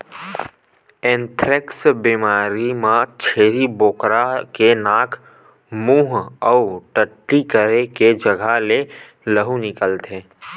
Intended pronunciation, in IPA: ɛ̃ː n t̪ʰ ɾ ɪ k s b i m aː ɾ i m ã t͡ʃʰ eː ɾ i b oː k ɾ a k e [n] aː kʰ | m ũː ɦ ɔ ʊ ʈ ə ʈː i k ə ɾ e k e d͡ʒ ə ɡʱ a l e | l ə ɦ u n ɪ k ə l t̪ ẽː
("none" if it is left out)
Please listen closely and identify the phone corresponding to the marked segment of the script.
n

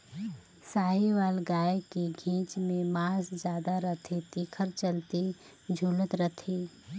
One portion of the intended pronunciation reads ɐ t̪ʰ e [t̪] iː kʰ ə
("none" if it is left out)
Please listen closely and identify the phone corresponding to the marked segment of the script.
t̪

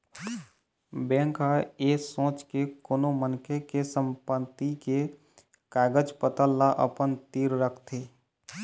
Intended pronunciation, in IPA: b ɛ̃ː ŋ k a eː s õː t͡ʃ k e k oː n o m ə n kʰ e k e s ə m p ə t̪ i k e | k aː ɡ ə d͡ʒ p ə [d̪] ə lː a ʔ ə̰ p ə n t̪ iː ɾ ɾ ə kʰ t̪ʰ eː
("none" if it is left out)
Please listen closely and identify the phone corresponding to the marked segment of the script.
t̪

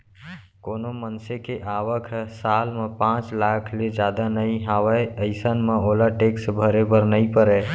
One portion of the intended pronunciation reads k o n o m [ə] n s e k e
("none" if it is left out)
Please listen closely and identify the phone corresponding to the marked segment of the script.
ə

